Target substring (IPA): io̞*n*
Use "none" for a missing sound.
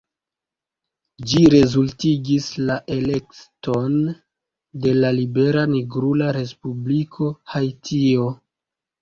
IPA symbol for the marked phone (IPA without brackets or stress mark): none